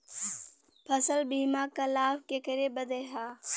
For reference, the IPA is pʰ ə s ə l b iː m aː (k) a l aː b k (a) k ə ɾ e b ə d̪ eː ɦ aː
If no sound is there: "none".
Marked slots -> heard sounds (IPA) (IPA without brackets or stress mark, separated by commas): k, e